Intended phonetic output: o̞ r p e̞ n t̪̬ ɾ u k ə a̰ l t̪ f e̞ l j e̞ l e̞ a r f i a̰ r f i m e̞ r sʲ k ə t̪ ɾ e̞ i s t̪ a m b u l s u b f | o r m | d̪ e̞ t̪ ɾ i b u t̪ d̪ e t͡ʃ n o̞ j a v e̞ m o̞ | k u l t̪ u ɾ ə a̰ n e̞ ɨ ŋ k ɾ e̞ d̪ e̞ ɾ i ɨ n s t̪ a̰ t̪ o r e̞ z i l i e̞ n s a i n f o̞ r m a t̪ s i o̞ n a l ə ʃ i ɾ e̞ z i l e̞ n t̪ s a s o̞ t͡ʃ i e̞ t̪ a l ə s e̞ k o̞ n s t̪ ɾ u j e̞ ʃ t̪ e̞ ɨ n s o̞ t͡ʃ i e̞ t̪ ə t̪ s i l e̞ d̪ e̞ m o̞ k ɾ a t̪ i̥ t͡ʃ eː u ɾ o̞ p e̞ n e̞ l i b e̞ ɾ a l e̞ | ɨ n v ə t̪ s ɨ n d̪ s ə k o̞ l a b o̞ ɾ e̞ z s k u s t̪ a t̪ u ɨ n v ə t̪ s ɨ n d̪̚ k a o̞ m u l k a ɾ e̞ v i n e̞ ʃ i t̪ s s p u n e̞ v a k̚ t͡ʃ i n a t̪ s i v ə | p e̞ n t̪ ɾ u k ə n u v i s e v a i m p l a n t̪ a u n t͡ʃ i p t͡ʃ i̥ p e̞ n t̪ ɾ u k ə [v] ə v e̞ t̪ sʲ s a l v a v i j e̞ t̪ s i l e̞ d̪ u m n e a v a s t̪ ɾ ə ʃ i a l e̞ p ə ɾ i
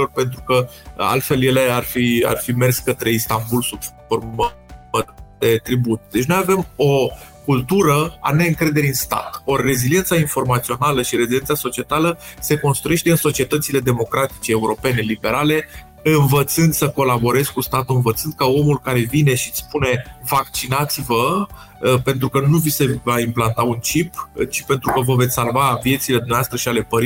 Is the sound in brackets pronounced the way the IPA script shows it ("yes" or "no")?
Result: yes